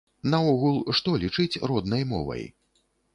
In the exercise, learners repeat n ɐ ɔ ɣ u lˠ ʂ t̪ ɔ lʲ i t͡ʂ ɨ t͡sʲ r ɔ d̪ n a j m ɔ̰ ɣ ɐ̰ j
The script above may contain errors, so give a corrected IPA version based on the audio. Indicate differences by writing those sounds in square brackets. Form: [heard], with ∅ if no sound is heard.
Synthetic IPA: n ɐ ɔ ɣ u lˠ ʂ t̪ ɔ lʲ i t͡ʂ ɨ t͡sʲ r ɔ d̪ n [ɐ] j m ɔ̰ [v] ɐ̰ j